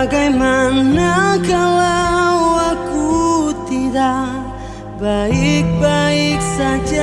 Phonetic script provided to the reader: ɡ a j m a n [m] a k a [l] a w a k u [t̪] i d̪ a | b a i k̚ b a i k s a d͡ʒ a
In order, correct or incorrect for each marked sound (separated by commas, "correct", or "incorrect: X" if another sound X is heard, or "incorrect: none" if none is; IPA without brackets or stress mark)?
incorrect: n, correct, correct